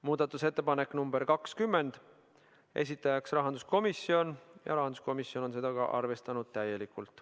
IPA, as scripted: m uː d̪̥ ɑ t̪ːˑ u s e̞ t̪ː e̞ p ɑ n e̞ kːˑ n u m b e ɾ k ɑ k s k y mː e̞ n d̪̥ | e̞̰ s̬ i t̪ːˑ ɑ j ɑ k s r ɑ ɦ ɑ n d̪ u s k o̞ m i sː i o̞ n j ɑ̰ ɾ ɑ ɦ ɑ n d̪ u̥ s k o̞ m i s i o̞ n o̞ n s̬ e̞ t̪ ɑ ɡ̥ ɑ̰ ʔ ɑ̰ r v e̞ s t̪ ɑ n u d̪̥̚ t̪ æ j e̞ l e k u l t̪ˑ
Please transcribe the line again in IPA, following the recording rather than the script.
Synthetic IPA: m uː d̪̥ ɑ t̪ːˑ u s e̞ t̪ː e̞ p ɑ n e̞ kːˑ n u m b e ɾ k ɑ k s k y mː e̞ n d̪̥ | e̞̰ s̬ i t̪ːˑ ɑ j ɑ k s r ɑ ɦ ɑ n d̪ u s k o̞ m i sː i o̞ n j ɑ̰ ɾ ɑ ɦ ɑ n d̪ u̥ s k o̞ m i s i o̞ n o̞ n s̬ e̞ d̪ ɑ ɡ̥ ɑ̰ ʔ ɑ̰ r v e̞ s t̪ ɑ n u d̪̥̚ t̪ æ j e̞ l i k u l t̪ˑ